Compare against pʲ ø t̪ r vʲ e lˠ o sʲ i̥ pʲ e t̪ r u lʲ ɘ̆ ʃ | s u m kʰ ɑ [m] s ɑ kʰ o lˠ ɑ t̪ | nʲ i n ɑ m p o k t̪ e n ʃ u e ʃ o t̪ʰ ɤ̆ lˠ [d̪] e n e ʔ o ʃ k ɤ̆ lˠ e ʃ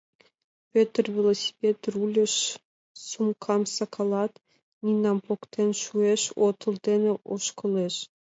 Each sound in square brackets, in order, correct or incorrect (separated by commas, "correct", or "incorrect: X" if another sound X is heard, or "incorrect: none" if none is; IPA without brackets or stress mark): correct, correct